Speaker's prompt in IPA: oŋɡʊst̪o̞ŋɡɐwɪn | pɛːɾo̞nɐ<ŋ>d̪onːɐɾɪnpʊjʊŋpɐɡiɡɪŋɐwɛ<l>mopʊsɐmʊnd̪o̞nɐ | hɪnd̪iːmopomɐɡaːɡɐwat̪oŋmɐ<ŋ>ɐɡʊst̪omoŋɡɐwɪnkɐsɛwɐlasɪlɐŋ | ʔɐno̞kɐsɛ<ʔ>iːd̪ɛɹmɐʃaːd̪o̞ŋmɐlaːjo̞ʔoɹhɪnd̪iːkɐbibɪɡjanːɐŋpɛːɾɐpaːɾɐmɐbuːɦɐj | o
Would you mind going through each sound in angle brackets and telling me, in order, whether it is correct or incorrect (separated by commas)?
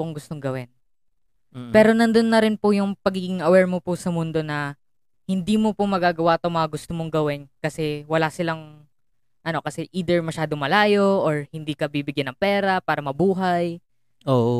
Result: incorrect, incorrect, correct, correct